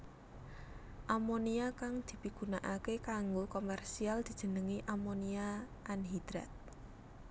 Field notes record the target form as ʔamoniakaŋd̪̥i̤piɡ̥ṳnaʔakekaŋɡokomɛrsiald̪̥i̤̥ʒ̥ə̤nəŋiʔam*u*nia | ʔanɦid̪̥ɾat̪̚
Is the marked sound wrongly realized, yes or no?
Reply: yes